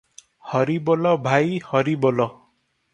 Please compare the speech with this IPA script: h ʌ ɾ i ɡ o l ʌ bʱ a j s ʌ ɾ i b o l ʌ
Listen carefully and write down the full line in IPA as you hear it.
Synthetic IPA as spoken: h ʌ ɾ i b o l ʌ bʱ a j h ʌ ɾ i b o l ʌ